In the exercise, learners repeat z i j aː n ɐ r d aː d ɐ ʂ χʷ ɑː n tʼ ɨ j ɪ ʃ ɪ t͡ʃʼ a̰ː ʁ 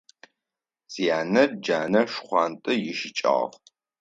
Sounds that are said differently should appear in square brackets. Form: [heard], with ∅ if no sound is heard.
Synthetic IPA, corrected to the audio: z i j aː n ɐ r [d͡ʒ] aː [n] ɐ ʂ χʷ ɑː n tʼ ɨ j ɪ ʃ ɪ t͡ʃʼ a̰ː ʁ